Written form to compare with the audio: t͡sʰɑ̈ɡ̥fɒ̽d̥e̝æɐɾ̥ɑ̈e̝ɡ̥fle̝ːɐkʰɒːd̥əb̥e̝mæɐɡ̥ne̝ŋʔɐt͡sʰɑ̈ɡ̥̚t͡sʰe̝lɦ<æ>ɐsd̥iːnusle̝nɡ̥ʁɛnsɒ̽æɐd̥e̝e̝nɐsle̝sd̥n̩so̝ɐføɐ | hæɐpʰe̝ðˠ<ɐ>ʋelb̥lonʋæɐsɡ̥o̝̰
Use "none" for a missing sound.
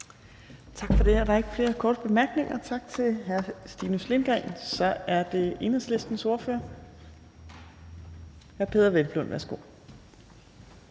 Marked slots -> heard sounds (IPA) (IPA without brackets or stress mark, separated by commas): æ, ɐ